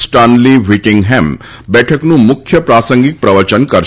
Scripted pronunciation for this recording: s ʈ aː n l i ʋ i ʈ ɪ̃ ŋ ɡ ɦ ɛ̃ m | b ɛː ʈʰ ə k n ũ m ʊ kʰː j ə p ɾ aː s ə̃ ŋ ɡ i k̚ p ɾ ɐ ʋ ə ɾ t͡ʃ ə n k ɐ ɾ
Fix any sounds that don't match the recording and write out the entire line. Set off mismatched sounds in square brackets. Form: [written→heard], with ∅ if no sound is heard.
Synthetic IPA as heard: s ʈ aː n l i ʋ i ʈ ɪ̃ ŋ ɡ ɦ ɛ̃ m | b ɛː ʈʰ ə k n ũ m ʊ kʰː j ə p ɾ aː s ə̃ ŋ ɡ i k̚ p ɾ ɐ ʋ ə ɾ t͡ʃ ə n k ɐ ɾ